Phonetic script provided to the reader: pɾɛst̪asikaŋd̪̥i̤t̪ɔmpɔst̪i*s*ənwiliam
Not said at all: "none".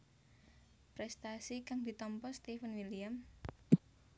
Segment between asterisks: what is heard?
f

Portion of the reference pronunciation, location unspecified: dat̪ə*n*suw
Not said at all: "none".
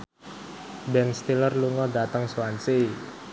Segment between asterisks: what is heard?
ŋ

